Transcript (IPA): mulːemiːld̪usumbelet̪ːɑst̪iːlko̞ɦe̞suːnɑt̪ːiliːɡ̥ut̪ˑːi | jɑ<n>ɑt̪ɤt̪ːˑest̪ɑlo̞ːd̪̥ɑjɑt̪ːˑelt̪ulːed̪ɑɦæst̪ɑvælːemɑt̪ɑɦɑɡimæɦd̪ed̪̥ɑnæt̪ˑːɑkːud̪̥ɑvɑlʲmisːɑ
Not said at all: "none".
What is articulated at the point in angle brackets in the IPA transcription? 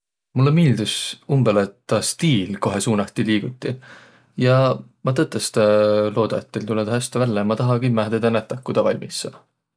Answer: m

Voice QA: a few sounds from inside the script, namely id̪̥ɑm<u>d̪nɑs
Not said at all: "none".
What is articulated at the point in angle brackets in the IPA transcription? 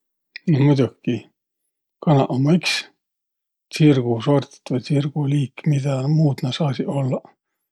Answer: uː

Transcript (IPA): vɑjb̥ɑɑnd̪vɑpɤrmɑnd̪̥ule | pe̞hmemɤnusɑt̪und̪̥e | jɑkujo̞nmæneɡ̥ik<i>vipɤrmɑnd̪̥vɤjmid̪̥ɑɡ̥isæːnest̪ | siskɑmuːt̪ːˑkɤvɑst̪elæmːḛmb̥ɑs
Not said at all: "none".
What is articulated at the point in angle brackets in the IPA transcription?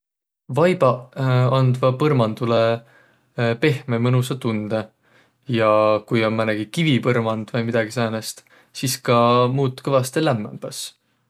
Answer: i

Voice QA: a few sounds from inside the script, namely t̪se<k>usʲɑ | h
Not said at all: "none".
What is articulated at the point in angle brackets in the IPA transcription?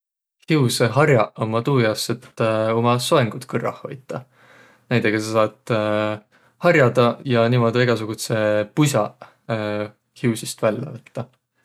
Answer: p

